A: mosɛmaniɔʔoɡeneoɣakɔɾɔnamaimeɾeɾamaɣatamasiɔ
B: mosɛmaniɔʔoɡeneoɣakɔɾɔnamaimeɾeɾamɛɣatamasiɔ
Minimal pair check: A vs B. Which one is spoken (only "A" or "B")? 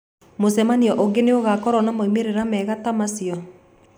B